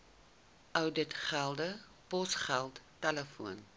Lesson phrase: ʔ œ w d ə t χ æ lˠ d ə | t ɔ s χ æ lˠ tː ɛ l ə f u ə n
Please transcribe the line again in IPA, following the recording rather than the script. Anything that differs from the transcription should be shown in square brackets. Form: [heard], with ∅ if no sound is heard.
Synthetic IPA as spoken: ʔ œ w d ə t χ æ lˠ d ə | [p] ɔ s χ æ lˠ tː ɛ l ə f u ə n